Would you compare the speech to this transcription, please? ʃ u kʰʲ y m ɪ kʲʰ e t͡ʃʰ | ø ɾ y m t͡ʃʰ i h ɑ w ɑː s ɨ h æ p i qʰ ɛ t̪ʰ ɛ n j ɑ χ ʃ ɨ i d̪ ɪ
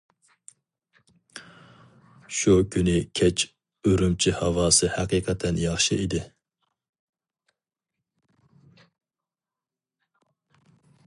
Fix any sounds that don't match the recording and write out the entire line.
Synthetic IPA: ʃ u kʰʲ y n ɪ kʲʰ ɛ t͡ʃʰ | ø ɾ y m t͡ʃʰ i h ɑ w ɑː s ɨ h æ q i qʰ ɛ t̪ʰ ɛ n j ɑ χ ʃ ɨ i d̪ ɪ